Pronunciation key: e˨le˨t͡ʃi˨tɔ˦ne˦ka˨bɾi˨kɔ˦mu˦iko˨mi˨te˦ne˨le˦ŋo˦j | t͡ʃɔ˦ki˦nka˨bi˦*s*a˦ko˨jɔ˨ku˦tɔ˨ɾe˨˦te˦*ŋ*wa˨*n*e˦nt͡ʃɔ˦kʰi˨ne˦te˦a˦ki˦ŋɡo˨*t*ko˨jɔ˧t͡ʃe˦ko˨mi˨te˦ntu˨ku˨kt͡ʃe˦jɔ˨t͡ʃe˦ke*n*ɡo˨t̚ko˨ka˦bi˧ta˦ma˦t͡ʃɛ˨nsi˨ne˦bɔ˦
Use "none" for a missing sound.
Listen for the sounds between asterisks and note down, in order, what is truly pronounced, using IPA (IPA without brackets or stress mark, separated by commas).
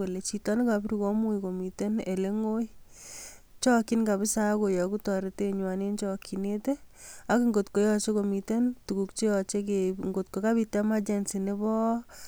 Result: s, ɲ, n, t, ŋ